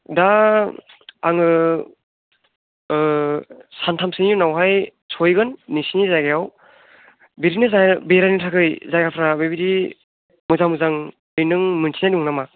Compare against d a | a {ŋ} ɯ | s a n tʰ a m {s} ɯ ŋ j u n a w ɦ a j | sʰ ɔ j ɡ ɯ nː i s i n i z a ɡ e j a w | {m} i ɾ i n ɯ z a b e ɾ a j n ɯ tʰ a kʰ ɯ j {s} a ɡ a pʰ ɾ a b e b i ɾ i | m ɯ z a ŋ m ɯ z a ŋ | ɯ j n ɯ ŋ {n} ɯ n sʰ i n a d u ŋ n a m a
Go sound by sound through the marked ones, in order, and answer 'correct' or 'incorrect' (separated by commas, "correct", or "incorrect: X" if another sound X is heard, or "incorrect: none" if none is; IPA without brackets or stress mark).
correct, correct, incorrect: b, incorrect: z, incorrect: m